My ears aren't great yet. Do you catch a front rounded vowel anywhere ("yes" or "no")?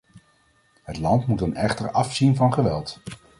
no